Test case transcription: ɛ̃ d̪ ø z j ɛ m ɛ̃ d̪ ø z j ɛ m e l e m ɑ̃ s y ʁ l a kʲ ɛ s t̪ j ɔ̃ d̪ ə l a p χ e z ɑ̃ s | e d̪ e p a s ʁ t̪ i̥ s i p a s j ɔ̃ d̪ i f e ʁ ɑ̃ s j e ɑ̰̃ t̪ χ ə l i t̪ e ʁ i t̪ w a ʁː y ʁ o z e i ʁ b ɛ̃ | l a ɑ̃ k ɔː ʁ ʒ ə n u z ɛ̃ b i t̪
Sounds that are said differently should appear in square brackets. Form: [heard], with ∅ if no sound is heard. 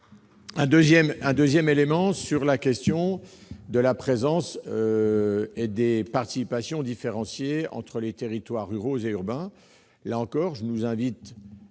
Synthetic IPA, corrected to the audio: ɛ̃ d̪ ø z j ɛ m ɛ̃ d̪ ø z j ɛ m e l e m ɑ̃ s y ʁ l a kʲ ɛ s t̪ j ɔ̃ d̪ ə l a p χ e z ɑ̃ s | e d̪ e p a [∅] ʁ t̪ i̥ s i p a s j ɔ̃ d̪ i f e ʁ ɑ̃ s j e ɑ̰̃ t̪ χ ə l [e] t̪ e ʁ i t̪ w a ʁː y ʁ o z e [y] ʁ b ɛ̃ | l a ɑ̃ k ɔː ʁ ʒ ə n u z ɛ̃ [v] i t̪